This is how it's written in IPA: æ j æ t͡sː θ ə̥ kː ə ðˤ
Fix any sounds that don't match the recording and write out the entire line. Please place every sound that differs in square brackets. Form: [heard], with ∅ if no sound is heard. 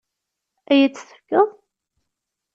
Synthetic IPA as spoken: æ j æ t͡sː θ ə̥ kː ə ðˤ